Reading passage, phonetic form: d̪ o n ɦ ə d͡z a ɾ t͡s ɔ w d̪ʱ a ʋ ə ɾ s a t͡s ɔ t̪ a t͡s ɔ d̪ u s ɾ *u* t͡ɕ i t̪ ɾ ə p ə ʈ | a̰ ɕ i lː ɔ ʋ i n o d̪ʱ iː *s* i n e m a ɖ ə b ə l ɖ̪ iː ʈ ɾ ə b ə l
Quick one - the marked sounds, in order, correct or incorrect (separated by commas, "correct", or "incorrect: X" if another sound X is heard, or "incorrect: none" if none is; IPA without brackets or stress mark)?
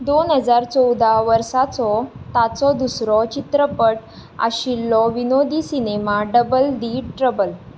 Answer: incorrect: ɔ, correct